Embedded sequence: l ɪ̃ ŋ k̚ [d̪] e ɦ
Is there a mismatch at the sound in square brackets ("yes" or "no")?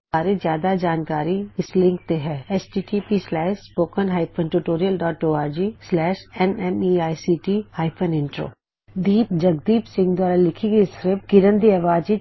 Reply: yes